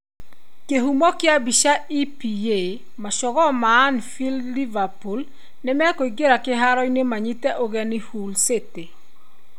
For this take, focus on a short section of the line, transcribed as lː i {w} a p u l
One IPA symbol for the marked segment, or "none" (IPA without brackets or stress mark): v